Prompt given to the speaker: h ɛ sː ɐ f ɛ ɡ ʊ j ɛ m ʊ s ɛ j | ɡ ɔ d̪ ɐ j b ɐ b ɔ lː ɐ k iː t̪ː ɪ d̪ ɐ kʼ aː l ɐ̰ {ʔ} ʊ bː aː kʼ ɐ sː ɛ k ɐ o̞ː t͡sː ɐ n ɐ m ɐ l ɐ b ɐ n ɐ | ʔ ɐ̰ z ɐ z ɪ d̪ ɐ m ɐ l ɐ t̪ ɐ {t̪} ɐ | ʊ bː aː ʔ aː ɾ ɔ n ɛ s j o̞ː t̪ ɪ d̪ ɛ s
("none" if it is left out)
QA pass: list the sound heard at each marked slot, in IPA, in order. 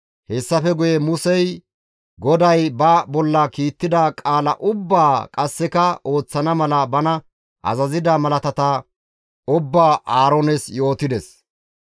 ʔ, t̪

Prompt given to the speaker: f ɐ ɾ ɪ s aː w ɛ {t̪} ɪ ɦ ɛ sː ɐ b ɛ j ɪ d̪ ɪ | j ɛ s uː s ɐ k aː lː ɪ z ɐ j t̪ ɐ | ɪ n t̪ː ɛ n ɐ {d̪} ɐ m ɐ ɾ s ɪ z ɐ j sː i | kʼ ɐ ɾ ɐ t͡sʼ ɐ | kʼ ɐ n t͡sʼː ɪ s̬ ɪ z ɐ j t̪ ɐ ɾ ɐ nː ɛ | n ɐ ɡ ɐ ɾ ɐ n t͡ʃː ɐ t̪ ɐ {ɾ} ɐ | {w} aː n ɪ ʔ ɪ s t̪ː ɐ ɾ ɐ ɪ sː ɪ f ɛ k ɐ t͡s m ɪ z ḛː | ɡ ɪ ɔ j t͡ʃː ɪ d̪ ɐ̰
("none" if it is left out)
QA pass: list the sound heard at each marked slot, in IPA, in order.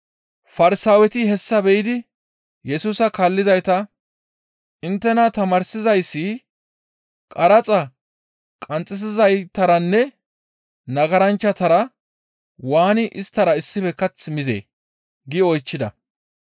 t̪, t̪, ɾ, w

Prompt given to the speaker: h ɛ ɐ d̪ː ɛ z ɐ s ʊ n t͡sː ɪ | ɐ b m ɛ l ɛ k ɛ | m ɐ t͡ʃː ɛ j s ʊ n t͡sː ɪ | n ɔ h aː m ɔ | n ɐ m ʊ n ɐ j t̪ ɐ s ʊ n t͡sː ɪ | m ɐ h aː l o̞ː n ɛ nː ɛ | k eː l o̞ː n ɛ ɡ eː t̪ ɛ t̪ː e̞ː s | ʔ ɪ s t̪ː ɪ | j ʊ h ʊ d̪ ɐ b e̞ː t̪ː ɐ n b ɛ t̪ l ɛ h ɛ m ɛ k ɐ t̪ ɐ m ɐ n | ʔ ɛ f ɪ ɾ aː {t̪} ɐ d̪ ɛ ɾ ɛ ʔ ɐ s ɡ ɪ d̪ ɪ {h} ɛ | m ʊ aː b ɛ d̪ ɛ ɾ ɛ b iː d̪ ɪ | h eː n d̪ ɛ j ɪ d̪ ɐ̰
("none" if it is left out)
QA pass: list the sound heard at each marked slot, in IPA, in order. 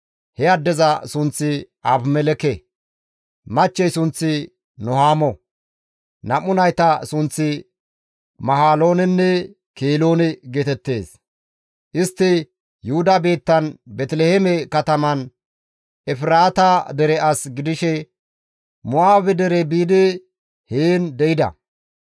t̪, ʃ

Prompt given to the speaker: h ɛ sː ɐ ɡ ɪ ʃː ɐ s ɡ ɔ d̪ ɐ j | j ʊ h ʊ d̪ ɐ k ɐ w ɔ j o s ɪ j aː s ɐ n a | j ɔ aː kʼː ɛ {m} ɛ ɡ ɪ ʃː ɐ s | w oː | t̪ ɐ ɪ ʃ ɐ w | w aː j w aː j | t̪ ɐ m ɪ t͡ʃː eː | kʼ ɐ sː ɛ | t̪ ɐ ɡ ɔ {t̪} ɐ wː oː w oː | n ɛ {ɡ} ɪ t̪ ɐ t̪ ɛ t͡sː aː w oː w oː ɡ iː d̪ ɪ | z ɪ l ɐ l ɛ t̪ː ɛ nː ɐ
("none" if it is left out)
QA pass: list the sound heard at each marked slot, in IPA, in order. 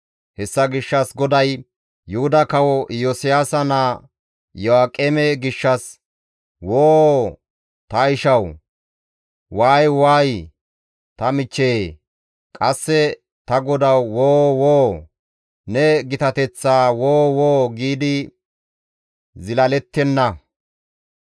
m, d̪, ɡ

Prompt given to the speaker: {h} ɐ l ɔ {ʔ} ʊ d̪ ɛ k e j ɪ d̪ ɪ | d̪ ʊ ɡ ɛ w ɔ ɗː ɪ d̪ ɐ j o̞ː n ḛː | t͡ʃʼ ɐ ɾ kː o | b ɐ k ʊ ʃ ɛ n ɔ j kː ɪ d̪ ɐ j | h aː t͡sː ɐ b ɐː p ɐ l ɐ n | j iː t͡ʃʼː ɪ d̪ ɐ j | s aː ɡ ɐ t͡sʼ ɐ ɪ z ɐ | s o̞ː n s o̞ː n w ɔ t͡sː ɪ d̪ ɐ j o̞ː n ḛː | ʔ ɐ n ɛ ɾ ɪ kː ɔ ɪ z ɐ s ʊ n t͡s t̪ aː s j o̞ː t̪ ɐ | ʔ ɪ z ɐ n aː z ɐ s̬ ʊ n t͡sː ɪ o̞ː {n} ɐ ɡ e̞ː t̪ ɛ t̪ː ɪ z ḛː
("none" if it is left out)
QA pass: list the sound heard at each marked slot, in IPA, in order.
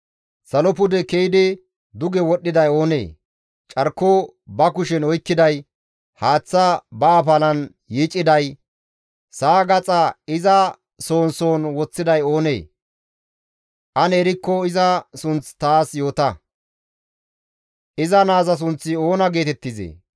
s, p, n

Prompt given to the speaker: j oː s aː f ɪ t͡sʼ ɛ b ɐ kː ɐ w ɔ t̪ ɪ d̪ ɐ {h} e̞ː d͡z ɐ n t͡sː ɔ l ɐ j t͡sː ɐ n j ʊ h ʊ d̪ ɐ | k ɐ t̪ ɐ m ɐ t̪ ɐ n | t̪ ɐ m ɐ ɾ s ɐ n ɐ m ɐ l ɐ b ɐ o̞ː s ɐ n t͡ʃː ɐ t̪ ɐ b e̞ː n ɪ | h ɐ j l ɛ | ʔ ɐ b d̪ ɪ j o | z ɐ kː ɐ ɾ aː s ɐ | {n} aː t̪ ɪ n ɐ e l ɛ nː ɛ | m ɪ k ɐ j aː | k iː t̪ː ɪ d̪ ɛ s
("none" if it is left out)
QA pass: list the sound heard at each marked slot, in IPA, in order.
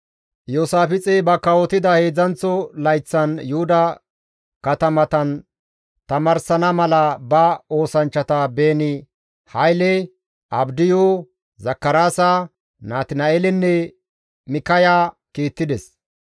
h, n

